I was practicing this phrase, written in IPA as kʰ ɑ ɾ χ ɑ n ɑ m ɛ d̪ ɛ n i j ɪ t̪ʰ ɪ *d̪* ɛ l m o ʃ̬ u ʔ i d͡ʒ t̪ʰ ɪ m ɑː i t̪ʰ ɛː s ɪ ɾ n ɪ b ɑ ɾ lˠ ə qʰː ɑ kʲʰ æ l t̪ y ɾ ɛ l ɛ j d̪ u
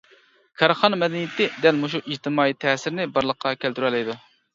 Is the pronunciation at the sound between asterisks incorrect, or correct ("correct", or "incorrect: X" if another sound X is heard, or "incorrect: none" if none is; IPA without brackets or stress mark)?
correct